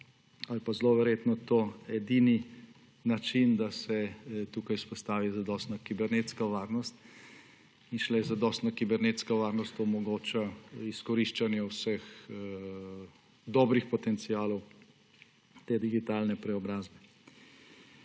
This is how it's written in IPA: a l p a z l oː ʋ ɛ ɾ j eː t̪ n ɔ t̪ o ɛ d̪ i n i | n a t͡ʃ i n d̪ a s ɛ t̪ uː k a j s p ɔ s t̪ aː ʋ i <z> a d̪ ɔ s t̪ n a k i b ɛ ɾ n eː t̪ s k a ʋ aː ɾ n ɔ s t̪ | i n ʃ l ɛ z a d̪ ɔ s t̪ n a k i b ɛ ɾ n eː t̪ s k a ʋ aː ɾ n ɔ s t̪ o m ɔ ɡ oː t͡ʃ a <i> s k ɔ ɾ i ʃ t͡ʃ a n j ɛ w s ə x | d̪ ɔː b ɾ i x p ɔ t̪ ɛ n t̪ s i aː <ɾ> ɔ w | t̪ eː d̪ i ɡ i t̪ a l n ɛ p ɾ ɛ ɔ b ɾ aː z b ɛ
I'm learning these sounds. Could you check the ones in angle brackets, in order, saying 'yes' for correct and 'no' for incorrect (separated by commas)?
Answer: yes, yes, no